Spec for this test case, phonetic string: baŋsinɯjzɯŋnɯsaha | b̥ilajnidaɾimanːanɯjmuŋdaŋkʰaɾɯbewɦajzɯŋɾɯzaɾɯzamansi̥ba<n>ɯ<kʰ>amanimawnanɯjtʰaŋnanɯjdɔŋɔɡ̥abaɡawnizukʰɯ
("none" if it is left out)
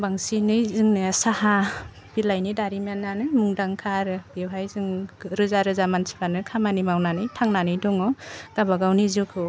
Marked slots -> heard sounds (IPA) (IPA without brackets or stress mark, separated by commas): n, kʰ